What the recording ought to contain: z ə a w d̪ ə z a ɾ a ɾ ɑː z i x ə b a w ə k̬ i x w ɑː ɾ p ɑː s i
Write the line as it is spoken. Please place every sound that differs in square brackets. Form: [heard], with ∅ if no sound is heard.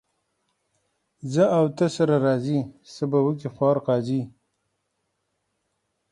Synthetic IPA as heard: z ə a w [t̪] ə [s] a ɾ a ɾ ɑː z i [s] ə b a w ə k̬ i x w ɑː ɾ [q] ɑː [z] i

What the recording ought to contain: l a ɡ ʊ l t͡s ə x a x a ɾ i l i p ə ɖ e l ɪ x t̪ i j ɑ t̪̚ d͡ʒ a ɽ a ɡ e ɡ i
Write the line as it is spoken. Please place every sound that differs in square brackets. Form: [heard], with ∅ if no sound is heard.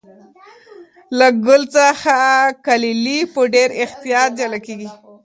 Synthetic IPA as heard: l a ɡ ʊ l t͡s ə x a [k] a [l] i l i p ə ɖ e [ɾ] ɪ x t̪ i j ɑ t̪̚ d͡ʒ a [l] a [k] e ɡ i

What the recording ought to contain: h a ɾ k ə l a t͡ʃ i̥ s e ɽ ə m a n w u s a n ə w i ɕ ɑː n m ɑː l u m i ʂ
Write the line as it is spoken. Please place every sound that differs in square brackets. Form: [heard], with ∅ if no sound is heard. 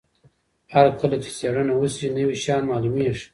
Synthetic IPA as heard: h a ɾ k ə l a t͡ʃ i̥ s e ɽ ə [n] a [∅] w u s [i] n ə w i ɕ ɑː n m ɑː l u m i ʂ

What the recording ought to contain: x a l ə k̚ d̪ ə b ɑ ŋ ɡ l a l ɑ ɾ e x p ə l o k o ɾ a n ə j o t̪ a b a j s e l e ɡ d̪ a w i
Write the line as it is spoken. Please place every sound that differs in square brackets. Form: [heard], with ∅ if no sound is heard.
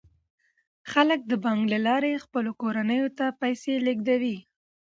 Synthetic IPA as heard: x a l ə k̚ d̪ ə b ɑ ŋ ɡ l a l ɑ ɾ e x p ə l o k o ɾ a n ə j o t̪ a [p] a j s e l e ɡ d̪ a w i

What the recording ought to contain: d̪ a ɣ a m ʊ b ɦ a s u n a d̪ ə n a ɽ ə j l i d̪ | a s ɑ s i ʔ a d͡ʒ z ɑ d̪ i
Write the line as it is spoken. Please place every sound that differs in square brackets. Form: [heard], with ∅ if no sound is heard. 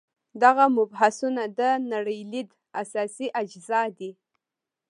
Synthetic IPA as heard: d̪ a ɣ a m ʊ b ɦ a s u n a d̪ ə n a ɽ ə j l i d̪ | a s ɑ s i ʔ a d͡ʒ z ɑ d̪ i

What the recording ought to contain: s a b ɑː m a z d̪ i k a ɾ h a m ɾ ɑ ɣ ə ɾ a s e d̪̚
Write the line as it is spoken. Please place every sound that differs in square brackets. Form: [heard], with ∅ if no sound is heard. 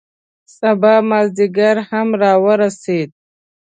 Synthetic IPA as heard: s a b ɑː m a z d̪ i [ɡ] a ɾ h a m ɾ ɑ [w] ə ɾ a s e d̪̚

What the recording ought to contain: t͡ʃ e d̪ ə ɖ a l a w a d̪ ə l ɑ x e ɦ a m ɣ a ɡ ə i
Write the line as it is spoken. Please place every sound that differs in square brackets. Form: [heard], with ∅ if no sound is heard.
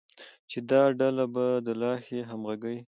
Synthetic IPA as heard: t͡ʃ e d̪ [ɑ] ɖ a l a [b] a d̪ ə l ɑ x e ɦ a m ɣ a ɡ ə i

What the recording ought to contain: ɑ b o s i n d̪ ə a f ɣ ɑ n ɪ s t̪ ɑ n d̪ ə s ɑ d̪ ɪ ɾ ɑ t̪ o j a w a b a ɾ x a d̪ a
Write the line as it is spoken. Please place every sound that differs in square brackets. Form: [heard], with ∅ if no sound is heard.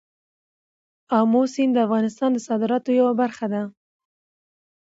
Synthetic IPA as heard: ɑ [m] o s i n d̪ ə a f ɣ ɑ n ɪ s t̪ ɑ n d̪ ə s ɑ d̪ ɪ ɾ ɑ t̪ o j a w a b a ɾ x a d̪ a

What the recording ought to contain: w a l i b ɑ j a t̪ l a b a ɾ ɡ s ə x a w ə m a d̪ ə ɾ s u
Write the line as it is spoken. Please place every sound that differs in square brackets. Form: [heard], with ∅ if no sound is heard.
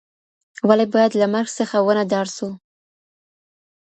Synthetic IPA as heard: w a l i b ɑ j a [d̪] l a [m] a ɾ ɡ s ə x a w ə [n] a d̪ [ɑ] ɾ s u

